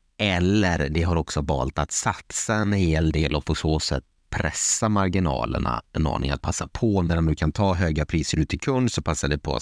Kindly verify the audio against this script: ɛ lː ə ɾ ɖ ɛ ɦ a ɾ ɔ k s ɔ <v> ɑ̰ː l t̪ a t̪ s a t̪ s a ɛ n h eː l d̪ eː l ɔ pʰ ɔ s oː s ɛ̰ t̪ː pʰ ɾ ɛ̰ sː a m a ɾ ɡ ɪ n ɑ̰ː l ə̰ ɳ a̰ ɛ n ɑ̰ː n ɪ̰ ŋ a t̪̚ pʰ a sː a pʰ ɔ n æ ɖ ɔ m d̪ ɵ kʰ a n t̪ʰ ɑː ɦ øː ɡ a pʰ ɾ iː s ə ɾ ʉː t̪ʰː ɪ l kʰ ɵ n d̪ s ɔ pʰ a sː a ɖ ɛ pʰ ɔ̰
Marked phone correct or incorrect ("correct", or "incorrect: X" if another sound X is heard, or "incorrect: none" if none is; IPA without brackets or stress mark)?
correct